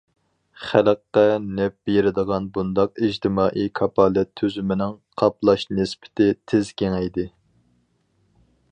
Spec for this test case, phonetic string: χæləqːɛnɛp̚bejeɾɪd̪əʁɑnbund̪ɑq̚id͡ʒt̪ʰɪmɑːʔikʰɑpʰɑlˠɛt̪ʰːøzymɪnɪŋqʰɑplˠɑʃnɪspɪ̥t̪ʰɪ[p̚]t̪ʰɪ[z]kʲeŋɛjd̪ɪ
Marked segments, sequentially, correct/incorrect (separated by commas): incorrect, correct